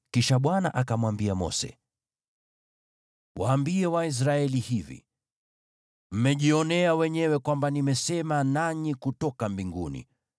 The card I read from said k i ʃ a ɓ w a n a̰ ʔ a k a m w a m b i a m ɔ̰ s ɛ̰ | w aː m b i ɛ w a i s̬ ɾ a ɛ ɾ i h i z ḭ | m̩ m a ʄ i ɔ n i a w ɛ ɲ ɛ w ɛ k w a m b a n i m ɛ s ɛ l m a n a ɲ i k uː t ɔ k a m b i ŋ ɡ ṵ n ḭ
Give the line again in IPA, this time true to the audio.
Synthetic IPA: k i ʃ a ɓ w a n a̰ ʔ a k a m w a m b i a m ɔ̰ s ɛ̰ | w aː m b i ɛ w a i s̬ ɾ a ɛ l i h i v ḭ | m̩ m ɛ ʄ i ɔ n ɛ a w ɛ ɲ ɛ w ɛ k w a m b a n i m ɛ s ɛ m a n a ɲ i k u t ɔ k a m b i ŋ ɡ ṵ n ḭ